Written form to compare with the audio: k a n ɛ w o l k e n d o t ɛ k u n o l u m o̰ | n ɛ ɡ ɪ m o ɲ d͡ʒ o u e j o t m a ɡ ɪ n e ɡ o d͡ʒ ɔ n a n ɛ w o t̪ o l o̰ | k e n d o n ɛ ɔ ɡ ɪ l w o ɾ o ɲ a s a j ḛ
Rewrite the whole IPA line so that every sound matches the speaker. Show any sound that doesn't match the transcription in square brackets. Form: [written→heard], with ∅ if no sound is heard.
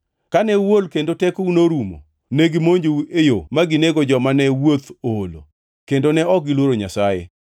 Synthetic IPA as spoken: k a n ɛ w o l k e n d o t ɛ k u n o [l→ɾ] u m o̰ | n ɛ ɡ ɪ m o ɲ d͡ʒ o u e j o [t→∅] m a ɡ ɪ n e ɡ o d͡ʒ ɔ [n→m] a n ɛ w o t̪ o l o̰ | k e n d o n ɛ ɔ ɡ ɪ l w o ɾ o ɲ a s a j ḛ